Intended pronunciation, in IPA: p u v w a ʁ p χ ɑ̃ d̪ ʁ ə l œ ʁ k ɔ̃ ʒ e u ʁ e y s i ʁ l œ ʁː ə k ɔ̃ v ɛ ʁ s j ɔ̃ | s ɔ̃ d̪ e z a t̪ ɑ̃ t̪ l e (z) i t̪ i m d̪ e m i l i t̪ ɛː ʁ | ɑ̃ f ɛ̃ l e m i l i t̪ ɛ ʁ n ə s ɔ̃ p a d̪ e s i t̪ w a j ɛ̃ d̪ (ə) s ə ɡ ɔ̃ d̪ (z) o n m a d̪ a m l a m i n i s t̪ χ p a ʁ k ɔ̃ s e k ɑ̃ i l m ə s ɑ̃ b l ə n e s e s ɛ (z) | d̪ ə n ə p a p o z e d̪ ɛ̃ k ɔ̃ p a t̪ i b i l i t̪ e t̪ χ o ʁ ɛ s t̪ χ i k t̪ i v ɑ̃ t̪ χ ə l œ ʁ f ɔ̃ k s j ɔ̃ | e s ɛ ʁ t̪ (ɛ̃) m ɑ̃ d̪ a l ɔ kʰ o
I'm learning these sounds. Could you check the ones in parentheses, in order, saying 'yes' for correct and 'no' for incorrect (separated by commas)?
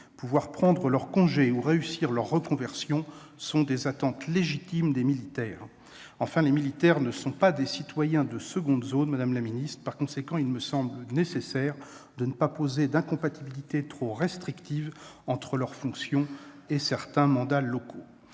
no, yes, yes, no, yes